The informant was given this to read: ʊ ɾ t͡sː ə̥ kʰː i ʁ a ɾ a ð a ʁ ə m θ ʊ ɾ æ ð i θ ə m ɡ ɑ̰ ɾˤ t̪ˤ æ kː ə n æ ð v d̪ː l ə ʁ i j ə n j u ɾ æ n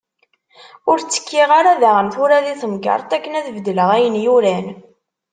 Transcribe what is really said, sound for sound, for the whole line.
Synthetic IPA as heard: ʊ ɾ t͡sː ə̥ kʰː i ʁ a ɾ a ð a ʁ ə m θ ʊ ɾ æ ð i θ ə m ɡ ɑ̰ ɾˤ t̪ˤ æ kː ə n æ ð v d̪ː l ə ʁ æ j ə n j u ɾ æ n